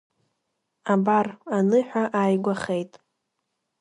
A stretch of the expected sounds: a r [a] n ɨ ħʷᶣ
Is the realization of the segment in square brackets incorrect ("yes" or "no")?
no